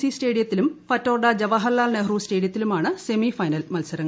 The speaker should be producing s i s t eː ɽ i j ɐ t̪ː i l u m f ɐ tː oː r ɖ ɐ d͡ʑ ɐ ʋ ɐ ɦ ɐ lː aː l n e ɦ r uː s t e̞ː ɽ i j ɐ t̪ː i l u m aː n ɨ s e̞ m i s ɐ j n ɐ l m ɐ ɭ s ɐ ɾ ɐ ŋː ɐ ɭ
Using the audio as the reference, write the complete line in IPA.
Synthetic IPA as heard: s i s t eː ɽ i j ɐ t̪ː i l u m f ɐ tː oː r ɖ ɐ d͡ʑ ɐ ʋ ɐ ɦ ɐ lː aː l n e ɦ r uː s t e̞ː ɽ i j ɐ t̪ː i l u m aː ɳ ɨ s e̞ m i f ɐ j n ɐ l m ɐ l s ɐ ɾ ɐ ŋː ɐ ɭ